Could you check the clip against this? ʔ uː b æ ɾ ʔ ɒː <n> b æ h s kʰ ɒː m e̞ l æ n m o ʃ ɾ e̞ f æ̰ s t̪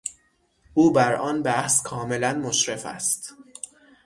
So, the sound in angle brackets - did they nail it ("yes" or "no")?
yes